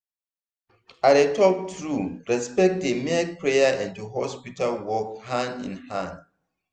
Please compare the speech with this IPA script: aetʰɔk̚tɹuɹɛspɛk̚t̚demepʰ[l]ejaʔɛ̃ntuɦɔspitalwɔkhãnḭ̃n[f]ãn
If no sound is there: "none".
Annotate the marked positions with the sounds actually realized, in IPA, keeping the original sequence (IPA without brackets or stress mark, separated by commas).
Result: ɹ, h